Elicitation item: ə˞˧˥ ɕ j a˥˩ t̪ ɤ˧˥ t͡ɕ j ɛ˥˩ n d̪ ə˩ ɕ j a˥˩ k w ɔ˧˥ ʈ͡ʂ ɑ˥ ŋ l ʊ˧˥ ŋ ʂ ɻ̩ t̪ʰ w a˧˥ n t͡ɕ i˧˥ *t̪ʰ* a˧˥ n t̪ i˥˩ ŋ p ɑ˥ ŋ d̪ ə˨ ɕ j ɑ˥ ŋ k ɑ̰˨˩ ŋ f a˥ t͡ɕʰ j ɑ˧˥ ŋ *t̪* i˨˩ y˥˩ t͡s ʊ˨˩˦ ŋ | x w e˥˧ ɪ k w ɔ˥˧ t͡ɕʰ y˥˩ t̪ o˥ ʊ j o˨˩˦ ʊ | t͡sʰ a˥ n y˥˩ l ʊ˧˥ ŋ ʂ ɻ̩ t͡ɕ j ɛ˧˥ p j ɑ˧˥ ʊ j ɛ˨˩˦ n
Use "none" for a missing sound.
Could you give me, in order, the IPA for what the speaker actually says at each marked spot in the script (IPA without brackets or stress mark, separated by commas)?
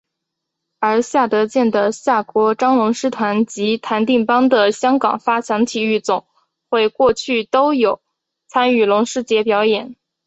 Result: t̪ʰ, t̪ʰ